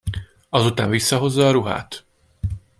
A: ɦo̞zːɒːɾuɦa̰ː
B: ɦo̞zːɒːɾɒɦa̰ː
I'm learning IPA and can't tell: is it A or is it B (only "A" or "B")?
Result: A